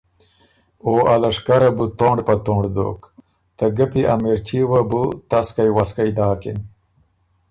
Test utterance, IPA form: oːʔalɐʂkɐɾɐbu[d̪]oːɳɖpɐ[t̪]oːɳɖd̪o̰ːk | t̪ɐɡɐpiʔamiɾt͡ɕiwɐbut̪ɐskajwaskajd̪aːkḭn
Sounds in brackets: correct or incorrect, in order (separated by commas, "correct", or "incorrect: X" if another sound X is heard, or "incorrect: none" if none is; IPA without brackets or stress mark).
incorrect: t̪, correct